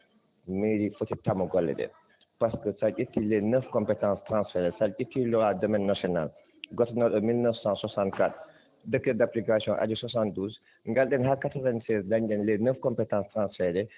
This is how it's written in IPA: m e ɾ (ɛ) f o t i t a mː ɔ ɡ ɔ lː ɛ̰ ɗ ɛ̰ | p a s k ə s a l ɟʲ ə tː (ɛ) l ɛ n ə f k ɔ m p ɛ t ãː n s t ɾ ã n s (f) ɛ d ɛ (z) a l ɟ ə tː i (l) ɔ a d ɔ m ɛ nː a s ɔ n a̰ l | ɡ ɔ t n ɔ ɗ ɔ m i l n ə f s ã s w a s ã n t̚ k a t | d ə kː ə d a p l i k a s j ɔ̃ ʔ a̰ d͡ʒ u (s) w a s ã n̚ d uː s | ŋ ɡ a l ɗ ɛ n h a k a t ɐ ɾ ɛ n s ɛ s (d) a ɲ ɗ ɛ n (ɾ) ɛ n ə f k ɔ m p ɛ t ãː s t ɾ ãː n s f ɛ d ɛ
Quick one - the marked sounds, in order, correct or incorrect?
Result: incorrect, incorrect, correct, incorrect, correct, correct, correct, incorrect

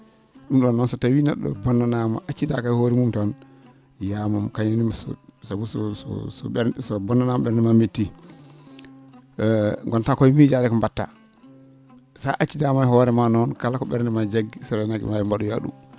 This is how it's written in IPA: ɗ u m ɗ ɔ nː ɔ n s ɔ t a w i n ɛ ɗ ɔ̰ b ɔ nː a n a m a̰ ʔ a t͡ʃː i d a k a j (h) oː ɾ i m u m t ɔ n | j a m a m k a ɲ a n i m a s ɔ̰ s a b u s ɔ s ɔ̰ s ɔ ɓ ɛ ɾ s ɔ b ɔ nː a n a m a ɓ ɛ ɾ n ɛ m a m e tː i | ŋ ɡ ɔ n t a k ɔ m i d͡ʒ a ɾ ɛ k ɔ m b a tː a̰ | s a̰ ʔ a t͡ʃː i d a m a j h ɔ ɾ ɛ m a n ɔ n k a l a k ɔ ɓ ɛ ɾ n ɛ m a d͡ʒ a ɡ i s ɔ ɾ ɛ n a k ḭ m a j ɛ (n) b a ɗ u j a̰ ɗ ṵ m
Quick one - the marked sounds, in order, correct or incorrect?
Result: correct, incorrect

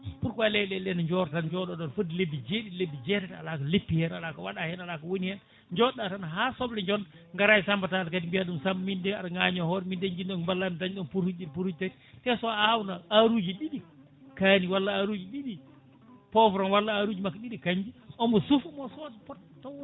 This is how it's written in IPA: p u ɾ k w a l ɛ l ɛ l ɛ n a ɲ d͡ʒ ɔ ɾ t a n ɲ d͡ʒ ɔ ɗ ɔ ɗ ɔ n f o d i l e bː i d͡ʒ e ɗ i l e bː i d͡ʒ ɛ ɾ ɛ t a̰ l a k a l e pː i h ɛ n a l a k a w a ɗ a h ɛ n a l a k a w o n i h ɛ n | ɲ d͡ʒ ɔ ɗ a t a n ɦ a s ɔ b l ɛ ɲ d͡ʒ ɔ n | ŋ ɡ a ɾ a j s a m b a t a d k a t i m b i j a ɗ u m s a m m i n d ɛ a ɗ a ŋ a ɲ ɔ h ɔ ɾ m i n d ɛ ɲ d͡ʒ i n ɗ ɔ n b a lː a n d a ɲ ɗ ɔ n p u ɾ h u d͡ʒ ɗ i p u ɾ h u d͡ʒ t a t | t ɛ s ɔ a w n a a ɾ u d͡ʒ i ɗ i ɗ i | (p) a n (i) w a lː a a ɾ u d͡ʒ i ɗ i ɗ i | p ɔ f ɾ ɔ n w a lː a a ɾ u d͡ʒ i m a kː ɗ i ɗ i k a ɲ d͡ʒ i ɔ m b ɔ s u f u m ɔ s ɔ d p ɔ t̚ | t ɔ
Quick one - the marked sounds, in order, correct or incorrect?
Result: incorrect, correct

